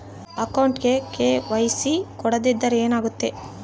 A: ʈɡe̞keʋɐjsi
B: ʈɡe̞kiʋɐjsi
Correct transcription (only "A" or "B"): A